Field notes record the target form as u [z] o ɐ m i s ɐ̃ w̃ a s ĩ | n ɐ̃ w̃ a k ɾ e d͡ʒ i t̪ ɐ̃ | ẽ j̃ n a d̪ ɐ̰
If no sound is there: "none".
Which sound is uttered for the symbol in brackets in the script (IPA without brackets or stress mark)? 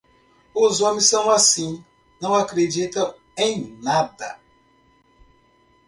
z